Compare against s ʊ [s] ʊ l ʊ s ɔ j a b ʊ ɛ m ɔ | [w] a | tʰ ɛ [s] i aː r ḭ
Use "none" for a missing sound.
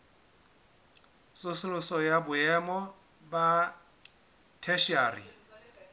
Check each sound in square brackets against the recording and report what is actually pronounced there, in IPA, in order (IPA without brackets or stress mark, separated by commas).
s, b, ʃ